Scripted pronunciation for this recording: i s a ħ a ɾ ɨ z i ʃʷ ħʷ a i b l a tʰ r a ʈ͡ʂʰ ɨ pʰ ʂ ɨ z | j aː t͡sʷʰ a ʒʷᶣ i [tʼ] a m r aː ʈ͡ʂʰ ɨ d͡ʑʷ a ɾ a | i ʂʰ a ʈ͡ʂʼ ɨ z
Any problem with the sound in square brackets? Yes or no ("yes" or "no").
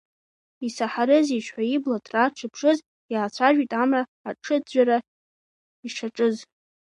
no